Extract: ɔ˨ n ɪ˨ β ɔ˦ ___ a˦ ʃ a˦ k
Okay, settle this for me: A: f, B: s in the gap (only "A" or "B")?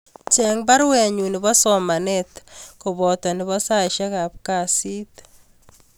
B